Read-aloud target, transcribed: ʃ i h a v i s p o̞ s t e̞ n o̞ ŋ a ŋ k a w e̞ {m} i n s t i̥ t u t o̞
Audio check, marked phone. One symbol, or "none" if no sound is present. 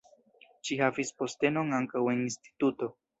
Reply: n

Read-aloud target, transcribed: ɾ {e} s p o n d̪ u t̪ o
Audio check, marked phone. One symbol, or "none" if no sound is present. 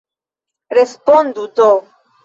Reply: e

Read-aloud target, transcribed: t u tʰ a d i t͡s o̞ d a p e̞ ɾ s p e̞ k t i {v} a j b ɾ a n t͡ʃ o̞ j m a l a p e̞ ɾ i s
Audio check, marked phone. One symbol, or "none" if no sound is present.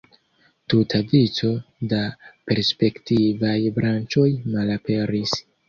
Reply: v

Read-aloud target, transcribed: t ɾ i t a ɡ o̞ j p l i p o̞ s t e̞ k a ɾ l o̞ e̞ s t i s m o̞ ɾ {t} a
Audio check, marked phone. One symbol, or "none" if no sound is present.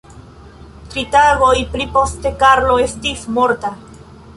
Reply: t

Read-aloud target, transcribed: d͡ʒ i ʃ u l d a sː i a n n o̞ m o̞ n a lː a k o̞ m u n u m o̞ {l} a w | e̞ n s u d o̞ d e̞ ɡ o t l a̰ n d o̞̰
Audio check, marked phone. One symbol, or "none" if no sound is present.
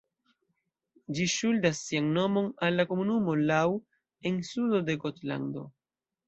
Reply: l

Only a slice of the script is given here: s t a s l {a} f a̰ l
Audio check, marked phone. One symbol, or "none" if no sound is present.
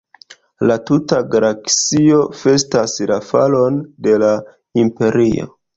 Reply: a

